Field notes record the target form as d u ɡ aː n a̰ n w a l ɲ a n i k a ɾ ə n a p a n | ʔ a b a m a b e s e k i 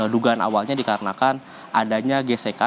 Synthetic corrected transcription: d u ɡ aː n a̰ w a l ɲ a d i k a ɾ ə n a k a n | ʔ a d a ɲ a ɡ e s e k a